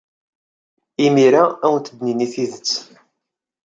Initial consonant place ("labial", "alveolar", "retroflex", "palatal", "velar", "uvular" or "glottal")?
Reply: labial